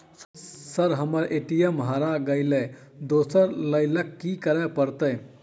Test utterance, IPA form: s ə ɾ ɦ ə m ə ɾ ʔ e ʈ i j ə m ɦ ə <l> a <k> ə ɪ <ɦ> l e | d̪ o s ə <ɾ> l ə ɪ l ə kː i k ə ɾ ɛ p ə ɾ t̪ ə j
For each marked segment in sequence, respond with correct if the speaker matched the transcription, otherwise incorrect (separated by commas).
incorrect, incorrect, incorrect, correct